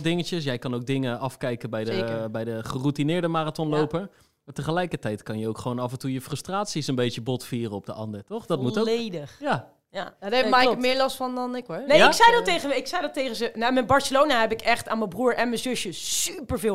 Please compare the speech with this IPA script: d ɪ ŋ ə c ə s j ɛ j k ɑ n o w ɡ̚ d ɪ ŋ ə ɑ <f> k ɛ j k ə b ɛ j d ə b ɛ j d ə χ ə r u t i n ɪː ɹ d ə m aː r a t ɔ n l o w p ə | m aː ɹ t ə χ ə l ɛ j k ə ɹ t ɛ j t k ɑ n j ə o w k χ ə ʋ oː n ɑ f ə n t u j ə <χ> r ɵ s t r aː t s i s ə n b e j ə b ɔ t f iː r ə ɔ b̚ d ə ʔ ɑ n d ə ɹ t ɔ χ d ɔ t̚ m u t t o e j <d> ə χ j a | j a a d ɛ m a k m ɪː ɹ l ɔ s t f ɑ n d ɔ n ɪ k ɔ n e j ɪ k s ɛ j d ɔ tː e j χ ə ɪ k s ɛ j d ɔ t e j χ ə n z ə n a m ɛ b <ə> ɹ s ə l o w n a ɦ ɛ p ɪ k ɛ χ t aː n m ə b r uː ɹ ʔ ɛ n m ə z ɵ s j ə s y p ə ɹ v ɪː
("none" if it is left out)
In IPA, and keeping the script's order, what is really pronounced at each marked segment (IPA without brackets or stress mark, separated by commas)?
f, f, d, ɑ